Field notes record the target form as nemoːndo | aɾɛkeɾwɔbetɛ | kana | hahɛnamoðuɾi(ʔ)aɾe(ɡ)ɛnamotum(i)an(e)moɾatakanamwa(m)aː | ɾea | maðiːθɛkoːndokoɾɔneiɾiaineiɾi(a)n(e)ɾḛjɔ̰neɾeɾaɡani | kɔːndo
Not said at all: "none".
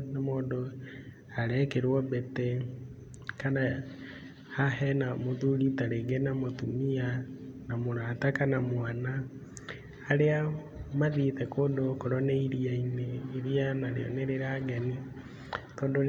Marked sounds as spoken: t, ɡ, i, a, n, a, a

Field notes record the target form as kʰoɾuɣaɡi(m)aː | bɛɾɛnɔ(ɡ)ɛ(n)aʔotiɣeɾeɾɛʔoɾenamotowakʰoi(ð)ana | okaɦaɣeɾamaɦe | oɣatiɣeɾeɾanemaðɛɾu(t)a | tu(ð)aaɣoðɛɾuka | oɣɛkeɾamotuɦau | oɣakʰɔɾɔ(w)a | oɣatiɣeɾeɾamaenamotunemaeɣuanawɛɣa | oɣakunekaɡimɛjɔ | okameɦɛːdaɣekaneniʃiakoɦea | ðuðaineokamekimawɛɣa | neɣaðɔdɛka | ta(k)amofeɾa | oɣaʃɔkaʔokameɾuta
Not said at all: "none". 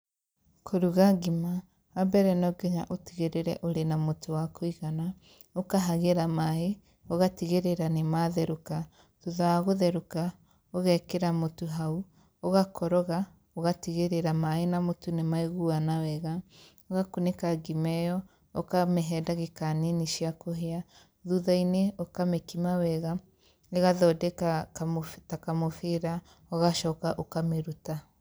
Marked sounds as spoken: m, ɡ, ɲ, ɣ, k, ð, ɣ, k

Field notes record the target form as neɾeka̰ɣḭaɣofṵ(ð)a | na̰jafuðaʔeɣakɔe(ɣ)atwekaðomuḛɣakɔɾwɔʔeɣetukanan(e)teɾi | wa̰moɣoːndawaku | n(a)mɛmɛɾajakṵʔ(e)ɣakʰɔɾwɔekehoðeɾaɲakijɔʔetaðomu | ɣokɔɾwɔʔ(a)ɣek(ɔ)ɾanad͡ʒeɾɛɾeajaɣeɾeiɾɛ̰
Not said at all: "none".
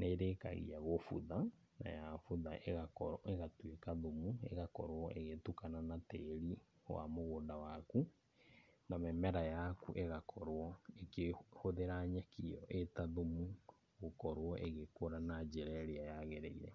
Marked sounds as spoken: ð, ɣ, a, a, e, e, o

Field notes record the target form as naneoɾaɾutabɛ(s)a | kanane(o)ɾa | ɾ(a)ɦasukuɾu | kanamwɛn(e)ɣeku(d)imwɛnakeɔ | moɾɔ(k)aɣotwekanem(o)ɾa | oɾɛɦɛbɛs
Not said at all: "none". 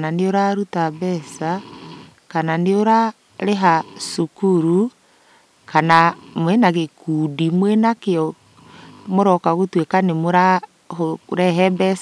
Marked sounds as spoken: s, o, e, a, d, k, o

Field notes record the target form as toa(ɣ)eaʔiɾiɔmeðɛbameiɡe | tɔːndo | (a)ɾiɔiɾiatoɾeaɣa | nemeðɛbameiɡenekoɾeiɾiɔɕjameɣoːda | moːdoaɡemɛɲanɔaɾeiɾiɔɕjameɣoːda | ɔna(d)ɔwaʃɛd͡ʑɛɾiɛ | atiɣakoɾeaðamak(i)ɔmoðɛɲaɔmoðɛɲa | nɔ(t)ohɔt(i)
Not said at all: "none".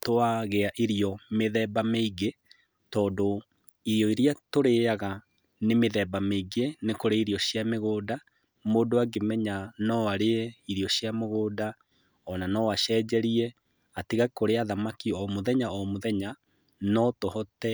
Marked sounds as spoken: ɣ, i, n, i, t, ɛ

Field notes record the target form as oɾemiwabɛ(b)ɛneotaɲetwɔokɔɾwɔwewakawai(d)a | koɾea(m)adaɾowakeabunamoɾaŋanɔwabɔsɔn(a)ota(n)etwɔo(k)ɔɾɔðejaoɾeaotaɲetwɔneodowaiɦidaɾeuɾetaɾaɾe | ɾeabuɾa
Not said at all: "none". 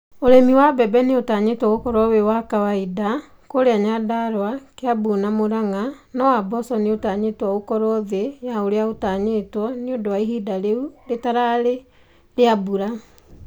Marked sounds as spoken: b, d, ɲ, e, ɲ, k

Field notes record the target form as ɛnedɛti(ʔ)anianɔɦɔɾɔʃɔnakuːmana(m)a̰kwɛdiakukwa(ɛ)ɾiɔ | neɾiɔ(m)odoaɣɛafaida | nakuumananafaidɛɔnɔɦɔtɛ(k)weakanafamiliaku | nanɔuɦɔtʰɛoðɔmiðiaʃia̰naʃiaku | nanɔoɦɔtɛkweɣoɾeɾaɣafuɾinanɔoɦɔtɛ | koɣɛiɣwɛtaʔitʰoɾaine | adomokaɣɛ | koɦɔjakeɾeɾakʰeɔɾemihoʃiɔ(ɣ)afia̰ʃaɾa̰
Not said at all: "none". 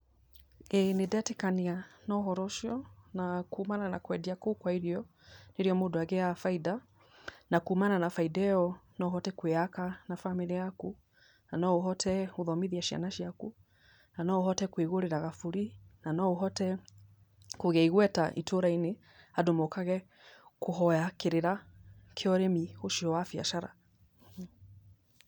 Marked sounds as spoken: k, n, i, m, k, w

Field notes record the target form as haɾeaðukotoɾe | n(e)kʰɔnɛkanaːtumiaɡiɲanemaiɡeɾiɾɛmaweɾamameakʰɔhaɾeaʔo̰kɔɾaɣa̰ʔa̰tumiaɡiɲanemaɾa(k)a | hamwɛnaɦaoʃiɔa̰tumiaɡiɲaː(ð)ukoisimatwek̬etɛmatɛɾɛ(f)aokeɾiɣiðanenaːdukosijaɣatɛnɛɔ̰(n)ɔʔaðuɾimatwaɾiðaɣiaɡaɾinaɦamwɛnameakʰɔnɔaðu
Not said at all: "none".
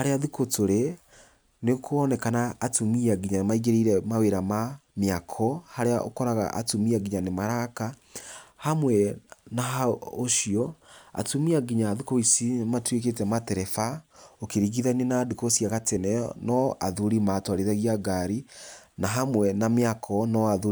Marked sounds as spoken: e, k, ð, f, n

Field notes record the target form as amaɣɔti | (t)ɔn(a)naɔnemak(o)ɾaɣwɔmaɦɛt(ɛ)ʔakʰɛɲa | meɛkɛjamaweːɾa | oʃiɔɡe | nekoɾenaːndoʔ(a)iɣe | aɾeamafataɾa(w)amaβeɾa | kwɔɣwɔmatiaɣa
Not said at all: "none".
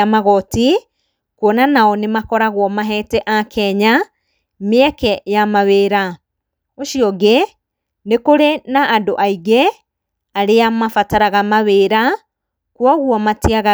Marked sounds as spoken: k, a, ɔ, ɛ, a, ɣ

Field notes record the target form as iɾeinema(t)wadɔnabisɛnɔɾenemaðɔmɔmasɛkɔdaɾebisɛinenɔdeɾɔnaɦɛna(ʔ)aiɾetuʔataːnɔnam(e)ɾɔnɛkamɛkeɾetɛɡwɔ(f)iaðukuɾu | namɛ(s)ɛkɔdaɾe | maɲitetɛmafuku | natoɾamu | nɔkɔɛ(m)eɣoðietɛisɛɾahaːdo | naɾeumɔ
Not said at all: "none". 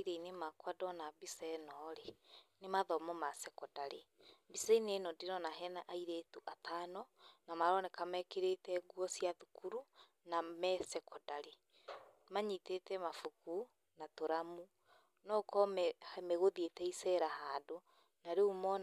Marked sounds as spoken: k, ʔ, a, s, s, m

